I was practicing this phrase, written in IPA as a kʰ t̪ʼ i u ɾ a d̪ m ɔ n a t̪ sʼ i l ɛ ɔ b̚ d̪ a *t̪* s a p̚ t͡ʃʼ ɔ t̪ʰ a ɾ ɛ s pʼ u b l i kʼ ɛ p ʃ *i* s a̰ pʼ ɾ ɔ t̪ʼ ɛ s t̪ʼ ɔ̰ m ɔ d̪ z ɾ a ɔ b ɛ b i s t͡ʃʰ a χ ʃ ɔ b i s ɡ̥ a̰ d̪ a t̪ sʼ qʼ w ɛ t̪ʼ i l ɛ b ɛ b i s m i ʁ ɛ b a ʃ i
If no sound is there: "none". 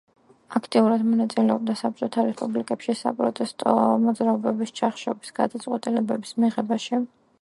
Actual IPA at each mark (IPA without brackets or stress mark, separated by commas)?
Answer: none, i